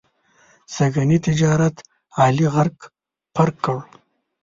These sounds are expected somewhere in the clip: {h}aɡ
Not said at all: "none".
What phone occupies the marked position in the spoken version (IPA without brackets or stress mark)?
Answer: s